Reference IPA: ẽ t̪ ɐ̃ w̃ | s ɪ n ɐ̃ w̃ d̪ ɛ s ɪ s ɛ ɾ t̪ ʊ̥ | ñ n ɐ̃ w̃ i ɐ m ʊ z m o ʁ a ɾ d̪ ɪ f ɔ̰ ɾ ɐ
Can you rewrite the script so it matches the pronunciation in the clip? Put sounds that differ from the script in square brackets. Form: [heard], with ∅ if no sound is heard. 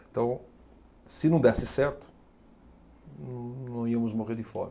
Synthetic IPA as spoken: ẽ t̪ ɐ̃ w̃ | s ɪ n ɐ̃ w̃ d̪ ɛ s ɪ s ɛ ɾ t̪ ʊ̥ | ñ n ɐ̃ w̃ i ɐ m ʊ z m o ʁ [e] ɾ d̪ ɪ f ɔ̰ ɾ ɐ